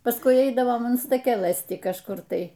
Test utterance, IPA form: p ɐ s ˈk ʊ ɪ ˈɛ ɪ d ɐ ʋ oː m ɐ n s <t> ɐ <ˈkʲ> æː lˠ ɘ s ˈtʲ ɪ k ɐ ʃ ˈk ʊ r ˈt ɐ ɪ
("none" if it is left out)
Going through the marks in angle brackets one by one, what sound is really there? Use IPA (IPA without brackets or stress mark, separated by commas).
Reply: t, kʲ